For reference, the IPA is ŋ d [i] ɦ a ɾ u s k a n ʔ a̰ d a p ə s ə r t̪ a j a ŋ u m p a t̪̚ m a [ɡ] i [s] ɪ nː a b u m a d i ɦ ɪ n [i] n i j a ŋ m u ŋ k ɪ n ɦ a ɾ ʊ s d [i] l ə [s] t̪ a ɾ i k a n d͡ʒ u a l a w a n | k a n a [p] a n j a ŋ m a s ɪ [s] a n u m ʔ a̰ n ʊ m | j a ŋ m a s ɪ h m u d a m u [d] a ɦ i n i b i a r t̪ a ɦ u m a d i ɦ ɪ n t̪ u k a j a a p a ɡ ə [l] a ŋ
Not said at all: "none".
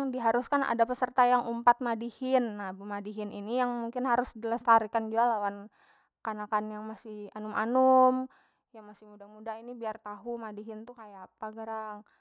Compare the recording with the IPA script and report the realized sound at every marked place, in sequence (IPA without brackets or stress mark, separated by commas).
i, d, h, i, i, s, k, h, d, ɾ